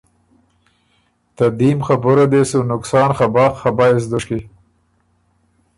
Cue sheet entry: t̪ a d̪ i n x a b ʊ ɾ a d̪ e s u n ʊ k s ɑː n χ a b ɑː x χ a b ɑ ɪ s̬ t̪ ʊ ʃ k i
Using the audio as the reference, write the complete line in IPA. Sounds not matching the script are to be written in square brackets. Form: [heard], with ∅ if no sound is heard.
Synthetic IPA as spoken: t̪ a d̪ i [m] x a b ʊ ɾ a d̪ e s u n ʊ k s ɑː n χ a b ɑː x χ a b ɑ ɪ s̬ [d̪] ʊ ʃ k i

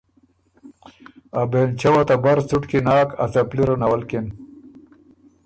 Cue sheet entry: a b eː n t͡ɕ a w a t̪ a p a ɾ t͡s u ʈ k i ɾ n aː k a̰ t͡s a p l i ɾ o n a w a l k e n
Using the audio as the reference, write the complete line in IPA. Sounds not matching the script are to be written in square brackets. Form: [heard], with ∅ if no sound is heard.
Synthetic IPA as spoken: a b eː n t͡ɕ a w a t̪ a [b] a ɾ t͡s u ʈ k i [∅] n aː k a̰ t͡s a p l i ɾ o n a w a l k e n

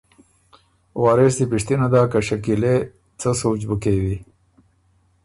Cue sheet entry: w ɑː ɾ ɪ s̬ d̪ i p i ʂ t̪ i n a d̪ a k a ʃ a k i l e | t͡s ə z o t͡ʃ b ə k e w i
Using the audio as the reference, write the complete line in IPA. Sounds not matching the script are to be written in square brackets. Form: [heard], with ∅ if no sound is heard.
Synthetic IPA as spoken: w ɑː ɾ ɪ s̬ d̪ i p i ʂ t̪ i n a d̪ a k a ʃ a k i l e | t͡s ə [s] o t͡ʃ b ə k e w i

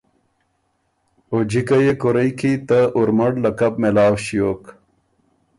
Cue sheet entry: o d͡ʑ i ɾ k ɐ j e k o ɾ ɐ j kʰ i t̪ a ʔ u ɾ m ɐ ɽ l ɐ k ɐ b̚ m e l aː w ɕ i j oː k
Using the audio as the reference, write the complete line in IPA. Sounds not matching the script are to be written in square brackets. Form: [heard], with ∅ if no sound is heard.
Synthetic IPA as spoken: o d͡ʑ i [∅] k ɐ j e k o ɾ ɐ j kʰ i t̪ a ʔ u ɾ m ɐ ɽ l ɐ k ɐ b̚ m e l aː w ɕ i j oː k

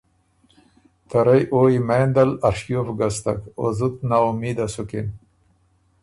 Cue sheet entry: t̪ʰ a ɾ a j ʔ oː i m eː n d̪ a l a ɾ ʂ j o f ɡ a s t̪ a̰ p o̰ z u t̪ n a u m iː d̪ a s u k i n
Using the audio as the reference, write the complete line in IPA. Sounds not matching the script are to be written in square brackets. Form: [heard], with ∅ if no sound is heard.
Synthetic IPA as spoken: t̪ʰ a ɾ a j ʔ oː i m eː n d̪ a l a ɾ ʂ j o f ɡ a s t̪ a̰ [k] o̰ z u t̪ n a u m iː d̪ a s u k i n

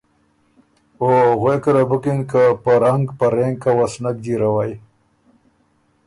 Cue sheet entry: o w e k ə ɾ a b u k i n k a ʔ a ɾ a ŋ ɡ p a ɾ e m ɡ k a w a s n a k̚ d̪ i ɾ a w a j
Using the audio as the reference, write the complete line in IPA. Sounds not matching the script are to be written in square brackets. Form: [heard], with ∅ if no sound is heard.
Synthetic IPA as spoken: o [ɣ] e k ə ɾ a b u k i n k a [p] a ɾ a ŋ ɡ p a ɾ e [ŋ] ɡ k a w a s n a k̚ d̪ i ɾ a w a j

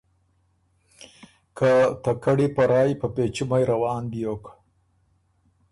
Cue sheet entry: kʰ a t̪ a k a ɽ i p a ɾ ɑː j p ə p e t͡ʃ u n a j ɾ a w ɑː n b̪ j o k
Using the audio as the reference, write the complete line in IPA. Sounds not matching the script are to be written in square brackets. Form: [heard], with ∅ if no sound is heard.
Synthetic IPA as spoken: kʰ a t̪ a k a ɽ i p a ɾ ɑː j p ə p e t͡ʃ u [m] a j ɾ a w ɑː n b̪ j o k

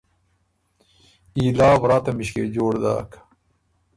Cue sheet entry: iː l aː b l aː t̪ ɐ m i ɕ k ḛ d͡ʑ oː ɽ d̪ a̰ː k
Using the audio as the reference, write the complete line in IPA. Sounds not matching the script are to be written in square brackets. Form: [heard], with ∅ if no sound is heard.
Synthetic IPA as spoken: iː l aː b [ɾ] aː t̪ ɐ m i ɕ k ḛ d͡ʑ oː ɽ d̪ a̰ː k

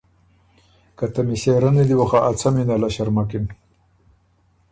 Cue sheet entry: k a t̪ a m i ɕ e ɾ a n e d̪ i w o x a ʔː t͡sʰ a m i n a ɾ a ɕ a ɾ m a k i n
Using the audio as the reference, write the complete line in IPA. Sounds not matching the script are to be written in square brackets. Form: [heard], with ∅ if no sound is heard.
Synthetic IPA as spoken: k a t̪ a m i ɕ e ɾ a n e d̪ i w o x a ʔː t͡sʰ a m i n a [l] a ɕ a ɾ m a k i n

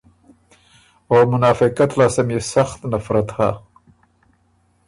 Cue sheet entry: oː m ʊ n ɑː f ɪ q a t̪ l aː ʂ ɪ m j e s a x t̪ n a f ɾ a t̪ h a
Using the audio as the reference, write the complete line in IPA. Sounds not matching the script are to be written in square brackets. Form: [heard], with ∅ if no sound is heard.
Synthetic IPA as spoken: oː m ʊ n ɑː f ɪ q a t̪ l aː [s] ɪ m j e s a x t̪ n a f ɾ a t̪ h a

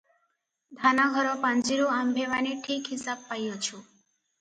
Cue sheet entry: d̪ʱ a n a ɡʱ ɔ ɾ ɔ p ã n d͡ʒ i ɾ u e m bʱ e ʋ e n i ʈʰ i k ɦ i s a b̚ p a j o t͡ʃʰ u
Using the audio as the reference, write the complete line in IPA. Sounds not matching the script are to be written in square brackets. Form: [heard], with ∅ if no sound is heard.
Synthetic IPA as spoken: d̪ʱ a n a ɡʱ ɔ ɾ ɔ p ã n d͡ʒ i ɾ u [a] m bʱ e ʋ [a] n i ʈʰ i k ɦ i s a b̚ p a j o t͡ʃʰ u

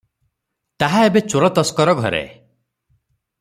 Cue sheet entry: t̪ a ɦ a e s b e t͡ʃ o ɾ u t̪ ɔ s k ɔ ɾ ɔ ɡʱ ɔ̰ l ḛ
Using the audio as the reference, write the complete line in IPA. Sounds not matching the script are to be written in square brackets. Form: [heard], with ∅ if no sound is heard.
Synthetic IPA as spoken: t̪ a ɦ a e [∅] b e t͡ʃ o ɾ [ɔ] t̪ ɔ s k ɔ ɾ ɔ ɡʱ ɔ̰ [ɾ] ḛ

